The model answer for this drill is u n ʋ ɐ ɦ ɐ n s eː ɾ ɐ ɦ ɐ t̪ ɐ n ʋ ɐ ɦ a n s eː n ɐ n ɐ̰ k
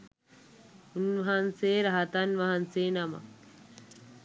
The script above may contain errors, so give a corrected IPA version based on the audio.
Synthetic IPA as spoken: u n ʋ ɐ ɦ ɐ n s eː ɾ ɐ ɦ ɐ t̪ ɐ n ʋ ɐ ɦ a n s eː n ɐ m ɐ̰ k